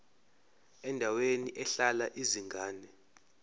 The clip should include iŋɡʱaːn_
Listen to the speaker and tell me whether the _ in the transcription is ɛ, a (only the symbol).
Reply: ɛ